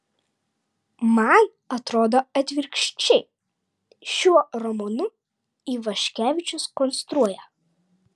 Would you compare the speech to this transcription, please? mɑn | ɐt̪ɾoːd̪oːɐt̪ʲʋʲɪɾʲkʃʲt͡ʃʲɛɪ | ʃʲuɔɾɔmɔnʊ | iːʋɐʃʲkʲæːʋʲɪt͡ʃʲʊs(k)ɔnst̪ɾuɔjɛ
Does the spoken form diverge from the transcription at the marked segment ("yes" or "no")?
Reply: no